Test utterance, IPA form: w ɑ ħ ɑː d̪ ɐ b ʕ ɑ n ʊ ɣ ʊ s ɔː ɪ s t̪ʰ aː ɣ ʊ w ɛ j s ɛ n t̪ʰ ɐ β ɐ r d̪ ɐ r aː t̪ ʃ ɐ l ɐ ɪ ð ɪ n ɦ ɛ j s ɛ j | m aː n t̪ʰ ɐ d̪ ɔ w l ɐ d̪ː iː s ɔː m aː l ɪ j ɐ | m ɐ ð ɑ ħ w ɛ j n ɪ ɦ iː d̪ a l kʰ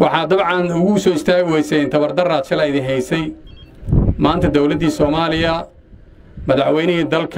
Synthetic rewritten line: w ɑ ħ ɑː d̪ ɐ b ʕ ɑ n ʊ ɣ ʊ s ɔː ɪ s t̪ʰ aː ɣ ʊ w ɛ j s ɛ n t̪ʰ ɐ β ɐ r d̪ ɐ r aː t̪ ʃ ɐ l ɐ ɪ ð ɪ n ɦ ɛ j s ɛ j | m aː n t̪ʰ ɐ d̪ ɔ w l ɐ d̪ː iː s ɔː m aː l ɪ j ɐ | m ɐ ð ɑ ħ w ɛ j n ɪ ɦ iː d̪ ɐ l kʰ